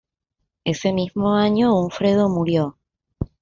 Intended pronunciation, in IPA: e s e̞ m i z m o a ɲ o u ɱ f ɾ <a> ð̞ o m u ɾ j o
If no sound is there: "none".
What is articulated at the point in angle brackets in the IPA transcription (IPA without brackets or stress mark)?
e